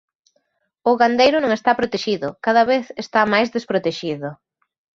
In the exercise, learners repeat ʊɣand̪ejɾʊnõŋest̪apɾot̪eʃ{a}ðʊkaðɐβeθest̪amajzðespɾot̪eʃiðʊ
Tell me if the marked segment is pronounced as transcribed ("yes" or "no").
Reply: no